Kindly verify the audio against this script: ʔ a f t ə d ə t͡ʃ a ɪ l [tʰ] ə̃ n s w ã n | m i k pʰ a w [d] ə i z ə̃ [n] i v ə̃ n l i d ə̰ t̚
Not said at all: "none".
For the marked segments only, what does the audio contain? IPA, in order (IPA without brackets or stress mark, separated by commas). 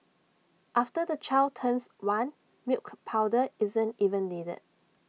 tʰ, d, n